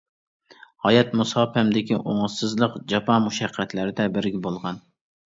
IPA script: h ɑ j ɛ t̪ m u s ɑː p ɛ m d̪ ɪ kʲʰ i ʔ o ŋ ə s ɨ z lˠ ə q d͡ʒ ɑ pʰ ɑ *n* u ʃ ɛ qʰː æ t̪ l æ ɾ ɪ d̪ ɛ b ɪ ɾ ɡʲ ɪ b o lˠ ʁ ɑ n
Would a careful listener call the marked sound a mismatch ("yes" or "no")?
yes